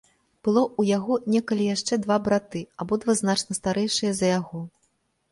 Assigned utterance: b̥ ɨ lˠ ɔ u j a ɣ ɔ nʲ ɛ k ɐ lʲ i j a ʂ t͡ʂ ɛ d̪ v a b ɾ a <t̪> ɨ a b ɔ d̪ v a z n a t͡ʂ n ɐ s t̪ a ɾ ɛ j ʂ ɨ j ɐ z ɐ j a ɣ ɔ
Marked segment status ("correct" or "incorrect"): correct